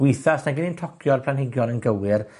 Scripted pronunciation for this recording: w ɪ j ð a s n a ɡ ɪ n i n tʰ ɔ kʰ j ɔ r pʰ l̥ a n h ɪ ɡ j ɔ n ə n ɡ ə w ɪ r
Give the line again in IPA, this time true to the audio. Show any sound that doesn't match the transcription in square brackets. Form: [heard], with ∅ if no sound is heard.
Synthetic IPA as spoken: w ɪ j [θ] a s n a ɡ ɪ n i n tʰ ɔ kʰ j ɔ r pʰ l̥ a n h ɪ ɡ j ɔ n ə n ɡ ə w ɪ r